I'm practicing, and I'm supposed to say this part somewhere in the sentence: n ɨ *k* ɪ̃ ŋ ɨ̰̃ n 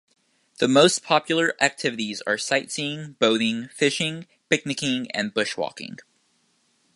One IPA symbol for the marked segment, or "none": k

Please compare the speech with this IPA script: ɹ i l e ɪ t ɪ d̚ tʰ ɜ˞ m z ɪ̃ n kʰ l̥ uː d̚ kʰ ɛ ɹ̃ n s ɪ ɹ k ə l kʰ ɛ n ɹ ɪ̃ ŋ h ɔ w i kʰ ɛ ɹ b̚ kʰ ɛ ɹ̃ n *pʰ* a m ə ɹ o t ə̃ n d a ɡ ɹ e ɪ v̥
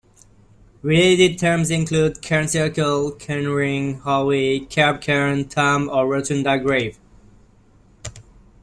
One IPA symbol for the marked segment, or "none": tʰ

